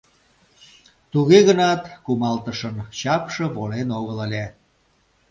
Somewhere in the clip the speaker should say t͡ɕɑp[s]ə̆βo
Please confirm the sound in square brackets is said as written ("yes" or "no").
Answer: no